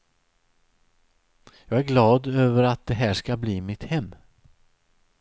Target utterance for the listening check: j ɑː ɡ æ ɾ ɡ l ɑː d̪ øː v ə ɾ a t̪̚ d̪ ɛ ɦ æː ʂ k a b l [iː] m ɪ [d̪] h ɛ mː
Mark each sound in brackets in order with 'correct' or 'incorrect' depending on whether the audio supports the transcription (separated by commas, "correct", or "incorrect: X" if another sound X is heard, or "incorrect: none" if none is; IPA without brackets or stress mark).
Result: correct, incorrect: t̪